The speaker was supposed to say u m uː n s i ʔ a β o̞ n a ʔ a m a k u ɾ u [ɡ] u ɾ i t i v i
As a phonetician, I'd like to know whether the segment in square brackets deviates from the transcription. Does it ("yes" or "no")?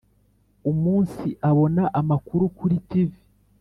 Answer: yes